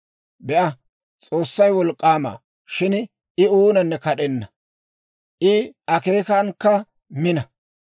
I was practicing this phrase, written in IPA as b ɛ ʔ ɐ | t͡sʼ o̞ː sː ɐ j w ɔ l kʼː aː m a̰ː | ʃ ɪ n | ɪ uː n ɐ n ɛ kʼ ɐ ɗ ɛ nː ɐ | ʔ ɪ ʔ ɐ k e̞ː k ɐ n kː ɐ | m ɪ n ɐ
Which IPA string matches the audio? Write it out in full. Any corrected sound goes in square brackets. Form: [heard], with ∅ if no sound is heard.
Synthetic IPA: b ɛ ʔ ɐ | t͡sʼ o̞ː sː ɐ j w ɔ l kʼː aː m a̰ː | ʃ ɪ n | ɪ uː n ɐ [nː] ɛ [k] ɐ ɗ ɛ nː ɐ | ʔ ɪ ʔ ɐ k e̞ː k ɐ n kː ɐ | m ɪ n ɐ